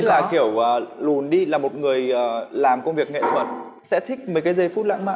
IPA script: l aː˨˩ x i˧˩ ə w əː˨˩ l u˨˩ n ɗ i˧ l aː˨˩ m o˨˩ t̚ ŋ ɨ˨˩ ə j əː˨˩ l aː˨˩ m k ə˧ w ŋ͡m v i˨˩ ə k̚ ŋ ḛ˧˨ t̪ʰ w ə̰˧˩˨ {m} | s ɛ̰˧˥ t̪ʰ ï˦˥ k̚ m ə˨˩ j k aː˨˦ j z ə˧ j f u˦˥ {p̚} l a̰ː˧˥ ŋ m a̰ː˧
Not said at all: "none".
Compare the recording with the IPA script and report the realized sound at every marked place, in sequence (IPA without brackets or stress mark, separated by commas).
n, t̚